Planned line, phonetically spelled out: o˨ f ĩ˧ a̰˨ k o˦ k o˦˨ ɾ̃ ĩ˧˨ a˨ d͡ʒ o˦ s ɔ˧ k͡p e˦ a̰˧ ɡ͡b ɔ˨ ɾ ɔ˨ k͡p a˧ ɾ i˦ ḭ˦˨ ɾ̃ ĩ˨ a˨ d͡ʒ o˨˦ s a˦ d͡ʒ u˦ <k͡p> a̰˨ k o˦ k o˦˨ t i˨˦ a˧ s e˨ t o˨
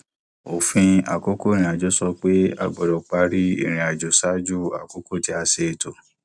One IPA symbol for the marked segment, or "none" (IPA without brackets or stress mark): none